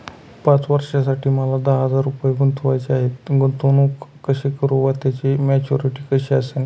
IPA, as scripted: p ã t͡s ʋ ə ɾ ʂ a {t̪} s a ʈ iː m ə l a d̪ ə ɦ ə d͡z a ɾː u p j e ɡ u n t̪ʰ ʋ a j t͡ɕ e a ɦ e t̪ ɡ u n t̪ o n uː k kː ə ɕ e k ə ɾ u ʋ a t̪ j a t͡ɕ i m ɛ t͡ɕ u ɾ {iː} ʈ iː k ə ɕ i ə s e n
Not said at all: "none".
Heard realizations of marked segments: none, i

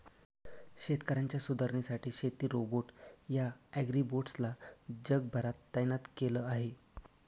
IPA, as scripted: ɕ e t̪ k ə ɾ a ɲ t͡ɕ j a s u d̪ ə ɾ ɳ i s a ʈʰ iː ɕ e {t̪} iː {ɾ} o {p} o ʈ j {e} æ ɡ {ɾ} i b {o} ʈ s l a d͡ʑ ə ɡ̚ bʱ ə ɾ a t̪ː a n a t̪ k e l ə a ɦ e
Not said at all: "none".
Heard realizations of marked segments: t̪, ɾ, b, a, ɾ, o

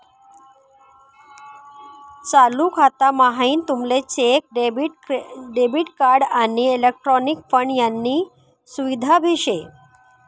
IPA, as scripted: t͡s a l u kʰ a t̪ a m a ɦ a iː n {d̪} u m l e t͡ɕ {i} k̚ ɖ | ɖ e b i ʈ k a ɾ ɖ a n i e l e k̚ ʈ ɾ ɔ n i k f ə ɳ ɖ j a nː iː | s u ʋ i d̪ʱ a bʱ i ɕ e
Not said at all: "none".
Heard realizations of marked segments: t̪, e

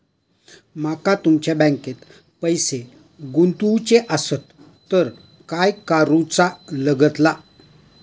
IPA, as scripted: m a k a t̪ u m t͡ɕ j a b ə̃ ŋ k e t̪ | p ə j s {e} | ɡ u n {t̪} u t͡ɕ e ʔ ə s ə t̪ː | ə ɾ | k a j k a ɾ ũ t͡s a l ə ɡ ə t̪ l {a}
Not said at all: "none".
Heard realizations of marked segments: e, t̪, a

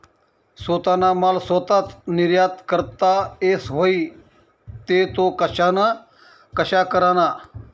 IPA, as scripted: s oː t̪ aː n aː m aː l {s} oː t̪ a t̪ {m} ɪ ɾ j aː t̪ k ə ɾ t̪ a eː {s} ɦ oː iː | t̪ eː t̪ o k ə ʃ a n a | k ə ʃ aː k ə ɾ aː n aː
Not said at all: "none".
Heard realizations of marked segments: s, n, s

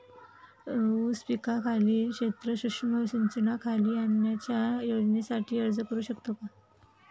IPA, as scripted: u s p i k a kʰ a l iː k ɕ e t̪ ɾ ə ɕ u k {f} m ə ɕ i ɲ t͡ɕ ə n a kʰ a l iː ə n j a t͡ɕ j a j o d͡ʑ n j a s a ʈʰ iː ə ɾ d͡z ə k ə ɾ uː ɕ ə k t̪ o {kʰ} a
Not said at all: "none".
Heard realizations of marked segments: ʂ, k

